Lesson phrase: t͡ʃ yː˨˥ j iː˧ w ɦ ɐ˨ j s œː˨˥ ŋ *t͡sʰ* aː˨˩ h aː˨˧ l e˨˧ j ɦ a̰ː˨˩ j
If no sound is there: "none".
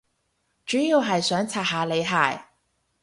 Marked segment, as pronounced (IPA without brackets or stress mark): t͡sʰ